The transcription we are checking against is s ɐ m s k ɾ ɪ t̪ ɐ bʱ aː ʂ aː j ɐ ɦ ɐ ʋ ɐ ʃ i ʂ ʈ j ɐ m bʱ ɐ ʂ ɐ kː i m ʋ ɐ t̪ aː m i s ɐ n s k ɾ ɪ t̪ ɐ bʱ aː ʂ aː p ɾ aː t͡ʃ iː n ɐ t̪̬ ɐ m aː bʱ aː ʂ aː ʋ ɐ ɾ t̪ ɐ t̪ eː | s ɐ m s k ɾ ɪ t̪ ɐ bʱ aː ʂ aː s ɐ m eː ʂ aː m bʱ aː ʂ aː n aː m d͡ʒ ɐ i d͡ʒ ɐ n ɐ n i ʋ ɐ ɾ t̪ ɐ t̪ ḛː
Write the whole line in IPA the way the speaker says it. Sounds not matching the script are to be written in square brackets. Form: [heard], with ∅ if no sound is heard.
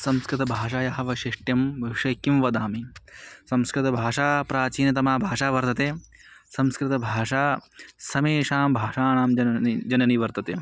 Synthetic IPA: s ɐ m s k ɾ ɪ t̪ ɐ bʱ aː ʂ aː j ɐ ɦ ɐ ʋ ɐ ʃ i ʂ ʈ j ɐ m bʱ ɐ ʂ ɐ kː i m ʋ ɐ [d̪] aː m i s ɐ [m] s k ɾ ɪ t̪ ɐ bʱ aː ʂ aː p ɾ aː t͡ʃ iː n ɐ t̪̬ ɐ m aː bʱ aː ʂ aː ʋ ɐ ɾ t̪ ɐ t̪ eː | s ɐ m s k ɾ ɪ t̪ ɐ bʱ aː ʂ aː s ɐ m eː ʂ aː m bʱ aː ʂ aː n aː m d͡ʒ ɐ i d͡ʒ ɐ n ɐ n i ʋ ɐ ɾ t̪ ɐ t̪ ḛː